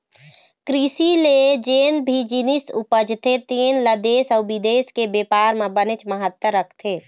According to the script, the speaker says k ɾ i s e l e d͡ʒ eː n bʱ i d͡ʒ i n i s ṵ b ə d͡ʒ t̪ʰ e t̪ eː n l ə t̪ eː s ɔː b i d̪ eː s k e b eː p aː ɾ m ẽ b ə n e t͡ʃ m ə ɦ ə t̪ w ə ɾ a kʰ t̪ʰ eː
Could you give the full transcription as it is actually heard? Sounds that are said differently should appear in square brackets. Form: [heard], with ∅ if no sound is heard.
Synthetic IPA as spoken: k ɾ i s [i] l e d͡ʒ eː n bʱ i d͡ʒ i n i s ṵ [p] ə d͡ʒ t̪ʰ e t̪ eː n l ə [d̪] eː s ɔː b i d̪ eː s k e b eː p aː ɾ m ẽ b ə n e t͡ʃ m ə ɦ ə t̪ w ə ɾ [ə] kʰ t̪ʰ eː

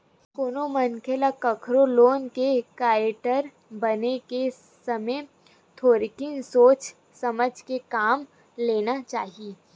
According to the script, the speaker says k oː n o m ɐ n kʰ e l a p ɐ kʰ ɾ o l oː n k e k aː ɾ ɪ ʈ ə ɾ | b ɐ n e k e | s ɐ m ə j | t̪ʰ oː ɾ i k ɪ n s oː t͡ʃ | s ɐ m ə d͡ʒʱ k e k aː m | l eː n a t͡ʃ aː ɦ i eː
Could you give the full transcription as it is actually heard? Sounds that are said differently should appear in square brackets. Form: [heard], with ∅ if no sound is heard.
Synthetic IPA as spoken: k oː n o m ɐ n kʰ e l a [k] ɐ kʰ ɾ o l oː n k e k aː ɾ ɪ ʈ ə ɾ | b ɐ n e k e | s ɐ m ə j | t̪ʰ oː ɾ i k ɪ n s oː t͡ʃ | s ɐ m ə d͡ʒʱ k e k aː m | l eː n a t͡ʃ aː ɦ i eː

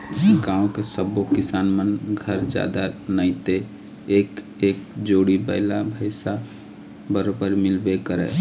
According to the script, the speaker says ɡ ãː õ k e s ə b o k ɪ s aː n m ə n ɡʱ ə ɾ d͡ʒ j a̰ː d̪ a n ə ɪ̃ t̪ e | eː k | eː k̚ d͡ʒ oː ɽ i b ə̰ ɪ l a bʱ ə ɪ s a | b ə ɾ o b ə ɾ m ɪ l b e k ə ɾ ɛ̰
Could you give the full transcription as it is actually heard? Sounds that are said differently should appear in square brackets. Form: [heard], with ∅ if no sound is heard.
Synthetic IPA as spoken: ɡ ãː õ k e s ə b o k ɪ s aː n m ə n ɡʱ ə ɾ d͡ʒ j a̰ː d̪ a n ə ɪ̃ t̪ e | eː k | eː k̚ d͡ʒ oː ɽ i b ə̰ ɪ l a bʱ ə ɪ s a | b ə ɾ o b ə ɾ m ɪ l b e k ə ɾ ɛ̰

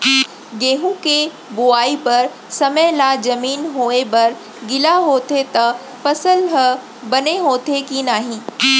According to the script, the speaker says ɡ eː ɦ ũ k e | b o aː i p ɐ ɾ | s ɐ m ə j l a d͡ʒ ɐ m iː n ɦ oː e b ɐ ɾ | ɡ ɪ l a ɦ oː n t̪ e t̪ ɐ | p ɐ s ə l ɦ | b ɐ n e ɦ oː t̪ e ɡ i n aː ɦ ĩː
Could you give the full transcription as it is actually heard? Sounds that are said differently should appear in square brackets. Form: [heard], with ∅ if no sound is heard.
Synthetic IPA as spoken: ɡ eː ɦ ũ k e | b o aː i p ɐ ɾ | s ɐ m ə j l a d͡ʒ ɐ m iː n ɦ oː e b ɐ ɾ | ɡ ɪ l a ɦ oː [∅] t̪ e t̪ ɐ | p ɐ s ə l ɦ | b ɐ n e ɦ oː t̪ e [k] i n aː ɦ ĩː

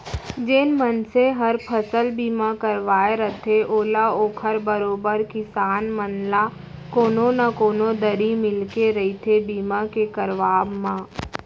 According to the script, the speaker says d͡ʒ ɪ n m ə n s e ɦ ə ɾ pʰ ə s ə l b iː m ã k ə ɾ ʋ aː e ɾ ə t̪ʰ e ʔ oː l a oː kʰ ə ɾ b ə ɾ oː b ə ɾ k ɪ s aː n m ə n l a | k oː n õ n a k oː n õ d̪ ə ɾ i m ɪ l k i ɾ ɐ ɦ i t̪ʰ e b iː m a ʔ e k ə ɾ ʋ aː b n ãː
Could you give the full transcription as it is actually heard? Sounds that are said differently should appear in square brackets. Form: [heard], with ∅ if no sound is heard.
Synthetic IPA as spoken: d͡ʒ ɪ n m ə n s e ɦ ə ɾ pʰ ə s ə l b iː m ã k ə ɾ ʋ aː e ɾ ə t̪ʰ e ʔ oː l a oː kʰ ə ɾ b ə ɾ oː b ə ɾ k ɪ s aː n m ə n l a | k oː n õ n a k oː n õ d̪ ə ɾ i m ɪ l k [e] ɾ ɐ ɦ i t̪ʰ e b iː m a [k] e k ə ɾ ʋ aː b [m] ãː

